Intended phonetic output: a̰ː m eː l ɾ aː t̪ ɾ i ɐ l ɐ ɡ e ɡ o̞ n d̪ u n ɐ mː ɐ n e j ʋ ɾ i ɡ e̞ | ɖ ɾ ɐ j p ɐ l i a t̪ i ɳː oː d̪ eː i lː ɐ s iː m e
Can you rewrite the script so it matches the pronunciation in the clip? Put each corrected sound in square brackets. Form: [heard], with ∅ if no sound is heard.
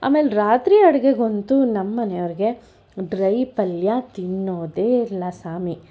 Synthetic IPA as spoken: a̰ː m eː l ɾ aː t̪ ɾ i ɐ [ɽ] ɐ ɡ e ɡ o̞ n [t̪] u n ɐ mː ɐ n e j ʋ ɾ i ɡ e̞ | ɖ ɾ ɐ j p ɐ l [j] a t̪ i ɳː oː d̪ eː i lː ɐ s [aː] m [i]